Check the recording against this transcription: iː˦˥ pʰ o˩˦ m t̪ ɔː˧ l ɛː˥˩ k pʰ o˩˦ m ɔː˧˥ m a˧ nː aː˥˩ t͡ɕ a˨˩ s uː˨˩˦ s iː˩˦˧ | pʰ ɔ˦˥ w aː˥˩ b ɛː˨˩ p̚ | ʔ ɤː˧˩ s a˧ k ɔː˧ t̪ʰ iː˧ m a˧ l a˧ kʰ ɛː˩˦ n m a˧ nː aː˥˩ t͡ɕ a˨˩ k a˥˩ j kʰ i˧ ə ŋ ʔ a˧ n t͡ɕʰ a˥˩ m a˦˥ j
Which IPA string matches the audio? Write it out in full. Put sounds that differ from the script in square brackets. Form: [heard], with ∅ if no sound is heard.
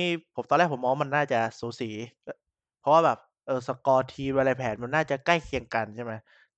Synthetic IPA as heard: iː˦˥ pʰ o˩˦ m t̪ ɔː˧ l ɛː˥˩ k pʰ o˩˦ m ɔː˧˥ m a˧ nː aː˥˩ t͡ɕ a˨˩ s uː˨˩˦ s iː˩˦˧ | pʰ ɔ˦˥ w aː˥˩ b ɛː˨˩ p̚ | ʔ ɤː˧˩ s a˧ k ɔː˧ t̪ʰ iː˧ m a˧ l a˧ [pʰ] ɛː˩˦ n m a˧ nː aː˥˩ t͡ɕ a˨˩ k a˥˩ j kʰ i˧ ə ŋ [k] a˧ n t͡ɕʰ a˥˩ m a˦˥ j